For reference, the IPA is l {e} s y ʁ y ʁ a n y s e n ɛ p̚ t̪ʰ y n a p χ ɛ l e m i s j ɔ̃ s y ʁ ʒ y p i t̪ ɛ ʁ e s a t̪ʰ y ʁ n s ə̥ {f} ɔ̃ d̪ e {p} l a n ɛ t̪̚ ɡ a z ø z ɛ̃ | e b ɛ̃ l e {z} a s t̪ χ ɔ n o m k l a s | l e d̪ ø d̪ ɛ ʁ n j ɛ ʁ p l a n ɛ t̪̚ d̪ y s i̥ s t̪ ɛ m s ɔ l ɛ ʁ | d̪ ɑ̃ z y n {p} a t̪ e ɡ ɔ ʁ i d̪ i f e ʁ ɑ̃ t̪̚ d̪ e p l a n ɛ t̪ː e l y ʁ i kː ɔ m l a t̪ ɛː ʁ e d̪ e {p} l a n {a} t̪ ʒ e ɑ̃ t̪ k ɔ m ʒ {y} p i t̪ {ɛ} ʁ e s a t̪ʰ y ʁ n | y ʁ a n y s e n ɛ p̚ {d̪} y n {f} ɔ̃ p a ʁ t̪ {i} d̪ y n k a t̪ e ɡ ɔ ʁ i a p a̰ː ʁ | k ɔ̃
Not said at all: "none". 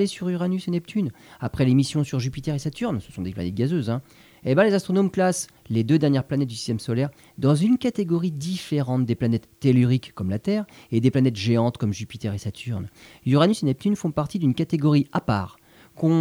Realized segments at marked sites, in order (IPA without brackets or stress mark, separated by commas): e, s, p, z, k, p, ɛ, y, ɛ, t̪, f, i